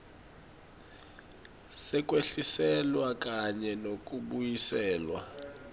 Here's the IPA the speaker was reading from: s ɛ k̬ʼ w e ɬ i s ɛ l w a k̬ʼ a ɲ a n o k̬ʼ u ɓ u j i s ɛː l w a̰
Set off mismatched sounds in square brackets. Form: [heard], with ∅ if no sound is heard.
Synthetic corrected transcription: s ɛ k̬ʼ w e ɬ i s ɛ l w a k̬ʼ a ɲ [ɛ] n o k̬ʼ u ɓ u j i s ɛː l w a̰